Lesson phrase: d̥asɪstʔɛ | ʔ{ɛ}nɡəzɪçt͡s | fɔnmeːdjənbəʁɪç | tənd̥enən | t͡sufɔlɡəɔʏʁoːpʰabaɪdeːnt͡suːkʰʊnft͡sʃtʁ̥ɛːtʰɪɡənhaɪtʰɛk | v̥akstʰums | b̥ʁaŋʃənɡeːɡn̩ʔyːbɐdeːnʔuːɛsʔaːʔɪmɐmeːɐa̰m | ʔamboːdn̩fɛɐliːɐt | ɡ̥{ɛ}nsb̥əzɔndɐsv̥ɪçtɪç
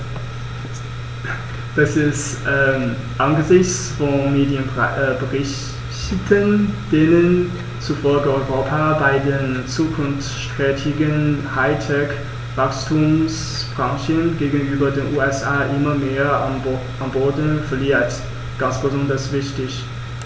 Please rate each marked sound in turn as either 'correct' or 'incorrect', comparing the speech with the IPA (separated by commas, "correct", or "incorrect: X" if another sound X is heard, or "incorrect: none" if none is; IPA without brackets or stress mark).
incorrect: a, incorrect: a